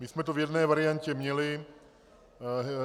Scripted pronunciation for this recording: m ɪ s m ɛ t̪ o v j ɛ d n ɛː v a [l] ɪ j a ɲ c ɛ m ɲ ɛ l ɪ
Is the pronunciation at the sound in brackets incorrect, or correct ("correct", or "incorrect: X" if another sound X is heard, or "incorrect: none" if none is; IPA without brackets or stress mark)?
incorrect: ɾ